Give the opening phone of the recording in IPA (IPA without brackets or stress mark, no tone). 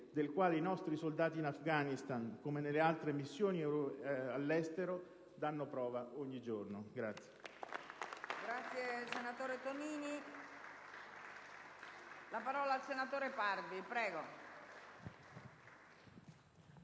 d̪